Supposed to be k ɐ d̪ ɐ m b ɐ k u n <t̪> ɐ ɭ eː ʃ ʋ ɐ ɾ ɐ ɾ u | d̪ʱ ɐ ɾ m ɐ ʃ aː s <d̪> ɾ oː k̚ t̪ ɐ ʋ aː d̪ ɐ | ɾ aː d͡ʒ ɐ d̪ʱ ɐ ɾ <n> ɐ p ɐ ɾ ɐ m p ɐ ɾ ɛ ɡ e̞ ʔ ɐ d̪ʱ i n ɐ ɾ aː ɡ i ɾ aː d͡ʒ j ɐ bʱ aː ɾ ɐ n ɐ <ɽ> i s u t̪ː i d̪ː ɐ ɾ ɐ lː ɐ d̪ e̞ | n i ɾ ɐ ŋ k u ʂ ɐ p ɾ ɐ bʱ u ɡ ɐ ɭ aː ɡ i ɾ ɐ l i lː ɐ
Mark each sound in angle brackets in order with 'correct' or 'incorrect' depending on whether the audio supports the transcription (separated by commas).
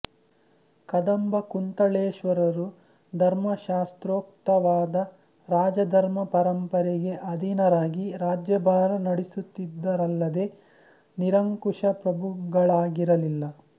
correct, incorrect, incorrect, correct